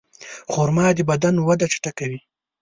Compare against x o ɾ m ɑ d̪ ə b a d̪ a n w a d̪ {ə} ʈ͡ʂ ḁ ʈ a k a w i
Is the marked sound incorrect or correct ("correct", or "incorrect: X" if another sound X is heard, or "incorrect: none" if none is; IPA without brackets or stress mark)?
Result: incorrect: a